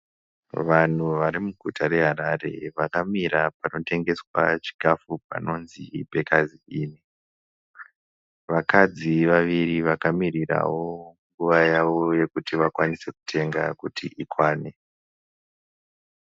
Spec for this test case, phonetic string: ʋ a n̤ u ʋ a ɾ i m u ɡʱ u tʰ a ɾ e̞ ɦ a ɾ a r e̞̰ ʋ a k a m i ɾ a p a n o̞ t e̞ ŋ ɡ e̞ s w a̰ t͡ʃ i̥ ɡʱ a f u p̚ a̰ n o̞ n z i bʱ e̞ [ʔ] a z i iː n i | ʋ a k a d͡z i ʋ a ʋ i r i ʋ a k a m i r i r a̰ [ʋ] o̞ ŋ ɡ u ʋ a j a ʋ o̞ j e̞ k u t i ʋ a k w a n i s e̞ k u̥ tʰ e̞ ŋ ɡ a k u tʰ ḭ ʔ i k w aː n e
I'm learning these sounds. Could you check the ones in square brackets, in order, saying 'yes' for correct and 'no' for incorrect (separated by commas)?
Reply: no, no